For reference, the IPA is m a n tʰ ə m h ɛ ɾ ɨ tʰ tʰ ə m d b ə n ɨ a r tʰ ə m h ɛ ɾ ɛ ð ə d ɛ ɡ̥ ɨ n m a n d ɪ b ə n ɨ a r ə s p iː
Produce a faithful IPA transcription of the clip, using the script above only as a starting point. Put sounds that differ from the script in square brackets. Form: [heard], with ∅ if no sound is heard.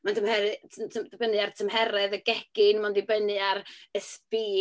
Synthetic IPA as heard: m a n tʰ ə m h ɛ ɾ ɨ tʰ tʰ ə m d b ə n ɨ a r tʰ ə m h ɛ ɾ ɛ ð ə [ɡ] ɛ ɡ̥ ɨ n m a n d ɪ b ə n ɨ a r ə s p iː